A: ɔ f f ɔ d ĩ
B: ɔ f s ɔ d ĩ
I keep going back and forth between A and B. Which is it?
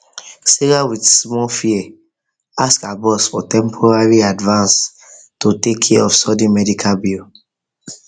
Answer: B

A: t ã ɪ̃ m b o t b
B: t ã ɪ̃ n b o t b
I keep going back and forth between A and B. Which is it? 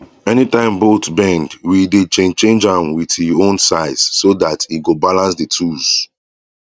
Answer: A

